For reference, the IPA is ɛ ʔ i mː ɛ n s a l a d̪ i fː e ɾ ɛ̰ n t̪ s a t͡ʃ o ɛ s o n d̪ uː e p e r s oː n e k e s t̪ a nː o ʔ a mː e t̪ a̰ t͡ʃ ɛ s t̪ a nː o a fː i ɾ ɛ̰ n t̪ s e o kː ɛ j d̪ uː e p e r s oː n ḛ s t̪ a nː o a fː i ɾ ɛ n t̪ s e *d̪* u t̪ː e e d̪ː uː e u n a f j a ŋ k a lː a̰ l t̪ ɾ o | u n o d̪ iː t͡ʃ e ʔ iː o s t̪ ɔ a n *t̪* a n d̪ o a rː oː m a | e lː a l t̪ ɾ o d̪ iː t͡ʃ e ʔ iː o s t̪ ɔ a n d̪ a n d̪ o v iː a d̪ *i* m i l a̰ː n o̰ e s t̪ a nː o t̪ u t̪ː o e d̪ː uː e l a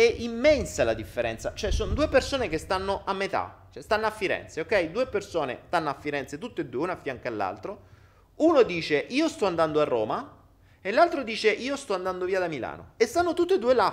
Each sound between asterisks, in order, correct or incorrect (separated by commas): incorrect, incorrect, incorrect